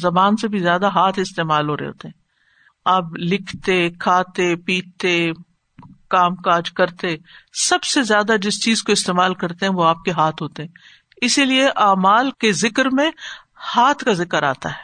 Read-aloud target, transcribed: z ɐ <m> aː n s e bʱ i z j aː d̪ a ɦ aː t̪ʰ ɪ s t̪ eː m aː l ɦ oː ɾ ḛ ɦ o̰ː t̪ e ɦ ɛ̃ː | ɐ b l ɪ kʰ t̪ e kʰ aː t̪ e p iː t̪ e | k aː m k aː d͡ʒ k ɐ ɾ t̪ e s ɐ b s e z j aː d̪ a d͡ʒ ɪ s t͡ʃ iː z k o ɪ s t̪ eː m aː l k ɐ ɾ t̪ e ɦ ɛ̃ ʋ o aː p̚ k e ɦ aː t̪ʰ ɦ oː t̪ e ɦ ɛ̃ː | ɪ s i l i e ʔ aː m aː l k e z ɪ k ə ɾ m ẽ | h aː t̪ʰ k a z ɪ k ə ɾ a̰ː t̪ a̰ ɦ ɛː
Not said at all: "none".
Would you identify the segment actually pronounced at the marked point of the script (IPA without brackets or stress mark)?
b